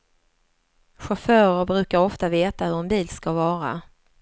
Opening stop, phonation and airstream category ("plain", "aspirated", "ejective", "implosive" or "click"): plain